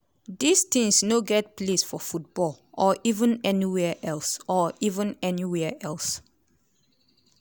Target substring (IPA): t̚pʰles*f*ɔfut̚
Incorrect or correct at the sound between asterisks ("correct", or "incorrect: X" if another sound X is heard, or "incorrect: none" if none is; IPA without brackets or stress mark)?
correct